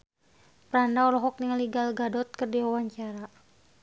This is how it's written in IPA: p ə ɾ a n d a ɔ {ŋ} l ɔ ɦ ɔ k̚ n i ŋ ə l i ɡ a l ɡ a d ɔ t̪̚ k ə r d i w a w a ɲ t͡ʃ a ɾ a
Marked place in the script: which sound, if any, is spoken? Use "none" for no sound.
none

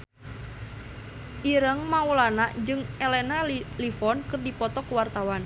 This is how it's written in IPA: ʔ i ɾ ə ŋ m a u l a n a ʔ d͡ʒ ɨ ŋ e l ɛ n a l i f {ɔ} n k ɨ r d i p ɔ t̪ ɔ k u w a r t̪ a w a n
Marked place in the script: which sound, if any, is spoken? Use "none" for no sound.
ɔ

